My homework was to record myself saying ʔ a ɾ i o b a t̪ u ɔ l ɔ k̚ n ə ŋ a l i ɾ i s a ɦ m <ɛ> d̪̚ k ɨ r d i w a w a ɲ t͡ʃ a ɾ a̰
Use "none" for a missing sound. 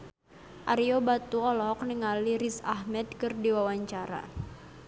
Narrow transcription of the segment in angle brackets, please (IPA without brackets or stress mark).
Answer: ɛ